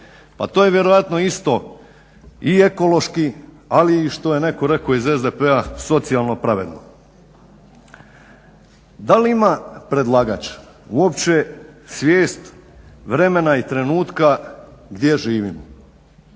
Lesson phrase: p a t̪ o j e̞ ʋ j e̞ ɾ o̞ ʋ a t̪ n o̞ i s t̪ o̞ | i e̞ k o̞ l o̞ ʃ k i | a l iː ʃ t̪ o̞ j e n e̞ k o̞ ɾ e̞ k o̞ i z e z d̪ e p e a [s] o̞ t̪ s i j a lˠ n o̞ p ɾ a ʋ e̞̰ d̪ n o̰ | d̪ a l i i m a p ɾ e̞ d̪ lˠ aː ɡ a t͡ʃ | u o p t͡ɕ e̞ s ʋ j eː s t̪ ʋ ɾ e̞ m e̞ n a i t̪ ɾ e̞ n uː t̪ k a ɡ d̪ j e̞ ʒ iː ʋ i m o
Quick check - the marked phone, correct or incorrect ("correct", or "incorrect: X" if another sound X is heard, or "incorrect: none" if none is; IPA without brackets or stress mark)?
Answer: correct